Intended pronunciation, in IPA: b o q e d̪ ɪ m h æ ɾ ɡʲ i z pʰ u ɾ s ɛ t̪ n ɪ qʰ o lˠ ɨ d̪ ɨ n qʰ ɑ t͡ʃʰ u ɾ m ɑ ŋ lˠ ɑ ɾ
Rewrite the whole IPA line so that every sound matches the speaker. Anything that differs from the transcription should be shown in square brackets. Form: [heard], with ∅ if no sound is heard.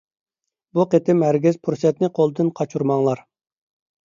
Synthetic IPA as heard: b [u] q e [t̪] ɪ m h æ ɾ ɡʲ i z pʰ u ɾ s ɛ t̪ n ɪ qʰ o lˠ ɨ d̪ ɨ n qʰ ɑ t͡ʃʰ u ɾ m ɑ ŋ lˠ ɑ ɾ